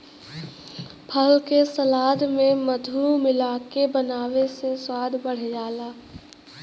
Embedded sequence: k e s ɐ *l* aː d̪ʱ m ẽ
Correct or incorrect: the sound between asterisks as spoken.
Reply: correct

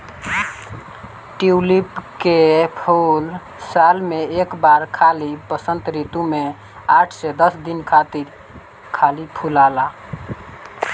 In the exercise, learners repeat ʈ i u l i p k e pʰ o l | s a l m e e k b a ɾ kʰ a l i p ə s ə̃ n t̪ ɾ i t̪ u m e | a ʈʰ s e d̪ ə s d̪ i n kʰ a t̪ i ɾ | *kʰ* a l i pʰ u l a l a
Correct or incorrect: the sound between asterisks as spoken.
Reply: correct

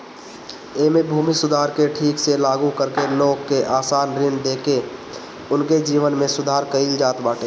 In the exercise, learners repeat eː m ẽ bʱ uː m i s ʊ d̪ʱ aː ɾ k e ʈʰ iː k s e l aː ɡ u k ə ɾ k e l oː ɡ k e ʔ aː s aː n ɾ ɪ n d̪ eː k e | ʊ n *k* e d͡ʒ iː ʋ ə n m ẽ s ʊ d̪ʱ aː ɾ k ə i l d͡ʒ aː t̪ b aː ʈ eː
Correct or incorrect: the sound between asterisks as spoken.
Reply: correct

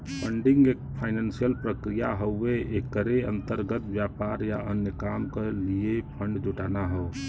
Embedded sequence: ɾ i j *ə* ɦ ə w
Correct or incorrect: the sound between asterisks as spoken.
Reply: incorrect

